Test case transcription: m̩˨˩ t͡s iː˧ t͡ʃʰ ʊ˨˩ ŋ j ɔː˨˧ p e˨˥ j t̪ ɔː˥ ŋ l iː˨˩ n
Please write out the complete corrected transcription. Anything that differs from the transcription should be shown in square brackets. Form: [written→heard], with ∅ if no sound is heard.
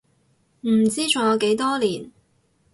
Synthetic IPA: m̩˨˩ t͡s [iː˧→iː˥] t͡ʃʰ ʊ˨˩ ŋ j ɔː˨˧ [p→k] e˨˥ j t̪ ɔː˥ [ŋ→∅] l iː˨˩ n